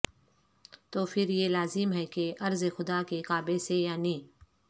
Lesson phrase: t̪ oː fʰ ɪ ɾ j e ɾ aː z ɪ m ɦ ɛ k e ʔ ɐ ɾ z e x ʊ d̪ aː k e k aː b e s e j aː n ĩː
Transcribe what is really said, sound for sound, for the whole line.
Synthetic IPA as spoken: t̪ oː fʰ ɪ ɾ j e l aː z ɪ m ɦ ɛ k e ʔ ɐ ɾ z e x ʊ d̪ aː k e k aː b e s e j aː n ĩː